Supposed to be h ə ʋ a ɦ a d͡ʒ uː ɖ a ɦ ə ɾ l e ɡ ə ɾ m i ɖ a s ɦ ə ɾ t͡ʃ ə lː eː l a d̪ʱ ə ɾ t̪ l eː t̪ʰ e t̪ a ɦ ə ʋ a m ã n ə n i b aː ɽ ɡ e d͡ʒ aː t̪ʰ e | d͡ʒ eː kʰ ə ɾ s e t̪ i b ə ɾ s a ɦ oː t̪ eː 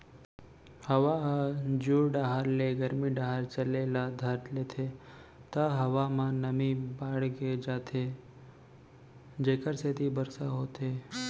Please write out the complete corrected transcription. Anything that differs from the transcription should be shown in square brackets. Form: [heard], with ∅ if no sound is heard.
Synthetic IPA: h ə ʋ a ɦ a d͡ʒ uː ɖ a ɦ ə ɾ l e ɡ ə ɾ m i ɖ a [∅] ɦ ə ɾ t͡ʃ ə [l] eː l a d̪ʱ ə ɾ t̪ l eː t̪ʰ e t̪ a ɦ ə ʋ a m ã n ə [m] i b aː ɽ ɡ e d͡ʒ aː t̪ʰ e | d͡ʒ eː [k] ə ɾ s e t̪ i b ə ɾ s a ɦ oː t̪ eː